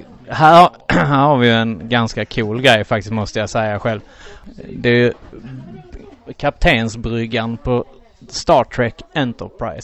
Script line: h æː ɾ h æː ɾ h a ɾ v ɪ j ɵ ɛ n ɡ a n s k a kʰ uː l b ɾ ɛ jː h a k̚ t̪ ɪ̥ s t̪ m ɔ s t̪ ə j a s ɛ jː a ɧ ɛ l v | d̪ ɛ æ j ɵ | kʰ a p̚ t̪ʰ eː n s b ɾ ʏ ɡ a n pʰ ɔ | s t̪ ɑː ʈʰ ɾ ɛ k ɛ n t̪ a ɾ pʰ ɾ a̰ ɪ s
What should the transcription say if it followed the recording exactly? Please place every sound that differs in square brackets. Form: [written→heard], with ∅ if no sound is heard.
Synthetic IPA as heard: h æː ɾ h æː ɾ h a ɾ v ɪ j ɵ ɛ n ɡ a n s k a kʰ uː l [b→ɡ] ɾ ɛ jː [h→f] a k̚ t̪ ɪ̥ s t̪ m ɔ s t̪ ə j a s ɛ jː a ɧ ɛ l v | d̪ ɛ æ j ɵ | kʰ a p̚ t̪ʰ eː n s b ɾ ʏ ɡ a n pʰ ɔ | s t̪ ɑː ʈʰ ɾ ɛ k ɛ n t̪ [a→ə] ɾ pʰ ɾ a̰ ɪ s